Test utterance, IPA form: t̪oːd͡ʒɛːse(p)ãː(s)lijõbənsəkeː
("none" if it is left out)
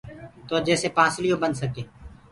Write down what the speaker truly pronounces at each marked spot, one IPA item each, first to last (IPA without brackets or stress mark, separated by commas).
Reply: p, s